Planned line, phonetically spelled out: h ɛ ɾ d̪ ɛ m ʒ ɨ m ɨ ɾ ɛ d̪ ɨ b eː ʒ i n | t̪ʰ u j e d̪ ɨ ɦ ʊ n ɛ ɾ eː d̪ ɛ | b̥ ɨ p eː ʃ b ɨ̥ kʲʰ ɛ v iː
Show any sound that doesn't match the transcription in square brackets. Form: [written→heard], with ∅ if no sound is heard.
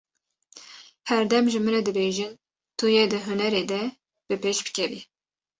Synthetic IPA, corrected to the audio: h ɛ ɾ d̪ ɛ m ʒ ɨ m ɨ ɾ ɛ d̪ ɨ b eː ʒ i n | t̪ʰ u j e d̪ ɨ ɦ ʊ n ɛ ɾ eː d̪ ɛ | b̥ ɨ p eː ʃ b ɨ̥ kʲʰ ɛ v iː